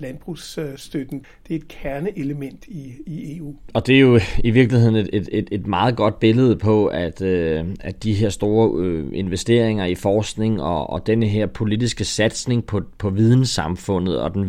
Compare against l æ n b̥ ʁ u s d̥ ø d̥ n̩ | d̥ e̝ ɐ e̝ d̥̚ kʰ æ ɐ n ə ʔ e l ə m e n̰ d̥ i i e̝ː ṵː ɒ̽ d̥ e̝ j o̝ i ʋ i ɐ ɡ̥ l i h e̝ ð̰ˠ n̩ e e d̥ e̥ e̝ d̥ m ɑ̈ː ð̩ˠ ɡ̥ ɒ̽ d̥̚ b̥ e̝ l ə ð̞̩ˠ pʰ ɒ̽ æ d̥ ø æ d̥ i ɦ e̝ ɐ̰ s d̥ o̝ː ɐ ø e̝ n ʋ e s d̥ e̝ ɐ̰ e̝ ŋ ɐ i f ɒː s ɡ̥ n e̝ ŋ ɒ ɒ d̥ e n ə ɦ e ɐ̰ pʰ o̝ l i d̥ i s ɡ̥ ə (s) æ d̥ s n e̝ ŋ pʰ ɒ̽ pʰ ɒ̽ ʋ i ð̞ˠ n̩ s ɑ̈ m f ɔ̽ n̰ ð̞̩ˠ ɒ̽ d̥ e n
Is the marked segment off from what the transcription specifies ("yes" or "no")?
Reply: no